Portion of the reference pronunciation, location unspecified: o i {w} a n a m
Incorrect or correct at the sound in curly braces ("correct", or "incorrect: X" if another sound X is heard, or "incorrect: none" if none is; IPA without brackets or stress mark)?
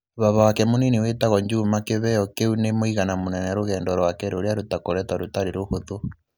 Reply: incorrect: ɣ